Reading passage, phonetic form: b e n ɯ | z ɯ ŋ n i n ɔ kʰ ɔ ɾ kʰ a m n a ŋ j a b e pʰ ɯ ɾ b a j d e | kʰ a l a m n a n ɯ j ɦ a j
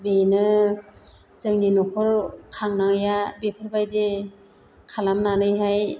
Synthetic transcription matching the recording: b e n ɯ | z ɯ ŋ n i n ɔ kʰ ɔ ɾ kʰ a ŋ n a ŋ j a b e pʰ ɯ ɾ b a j d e | kʰ a l a m n a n ɯ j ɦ a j